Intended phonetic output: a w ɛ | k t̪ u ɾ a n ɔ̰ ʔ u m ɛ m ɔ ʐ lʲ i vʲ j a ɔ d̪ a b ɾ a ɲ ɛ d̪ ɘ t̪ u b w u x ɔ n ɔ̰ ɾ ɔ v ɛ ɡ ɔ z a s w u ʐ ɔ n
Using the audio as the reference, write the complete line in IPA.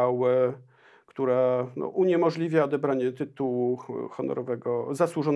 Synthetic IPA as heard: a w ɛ | k t̪ u ɾ a n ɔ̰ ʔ u ɲ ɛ m ɔ ʐ lʲ i vʲ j a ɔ d̪ ɛ b ɾ a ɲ ɛ t̪ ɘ t̪ u w u x ɔ n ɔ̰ ɾ ɔ v ɛ ɡ ɔ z a s w u ʐ ɔ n